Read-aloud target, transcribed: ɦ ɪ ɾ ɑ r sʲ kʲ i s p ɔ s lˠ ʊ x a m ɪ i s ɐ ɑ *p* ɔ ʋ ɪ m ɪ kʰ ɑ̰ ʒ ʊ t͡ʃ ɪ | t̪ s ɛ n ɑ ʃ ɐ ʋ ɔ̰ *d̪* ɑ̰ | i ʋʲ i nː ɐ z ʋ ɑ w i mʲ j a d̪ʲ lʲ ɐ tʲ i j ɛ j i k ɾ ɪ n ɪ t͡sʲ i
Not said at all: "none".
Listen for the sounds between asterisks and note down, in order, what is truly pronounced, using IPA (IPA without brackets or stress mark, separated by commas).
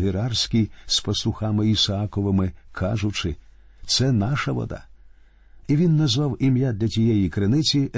k, d̪